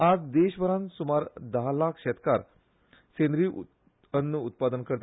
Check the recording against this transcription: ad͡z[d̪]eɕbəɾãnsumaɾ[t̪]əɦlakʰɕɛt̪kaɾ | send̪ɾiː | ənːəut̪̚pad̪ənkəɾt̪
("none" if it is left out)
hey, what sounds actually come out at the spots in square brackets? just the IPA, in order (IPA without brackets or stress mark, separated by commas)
d̪, d̪